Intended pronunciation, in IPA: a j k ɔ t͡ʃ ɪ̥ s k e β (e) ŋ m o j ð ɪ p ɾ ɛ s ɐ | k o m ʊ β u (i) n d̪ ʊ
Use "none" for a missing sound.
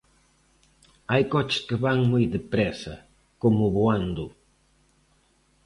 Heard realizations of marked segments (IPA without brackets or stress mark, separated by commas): a, a